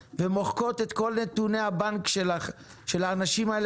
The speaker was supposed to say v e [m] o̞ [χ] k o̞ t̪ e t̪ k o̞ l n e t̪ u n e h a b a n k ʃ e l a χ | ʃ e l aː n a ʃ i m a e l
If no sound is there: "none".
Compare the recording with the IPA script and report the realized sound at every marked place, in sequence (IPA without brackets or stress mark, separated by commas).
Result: m, χ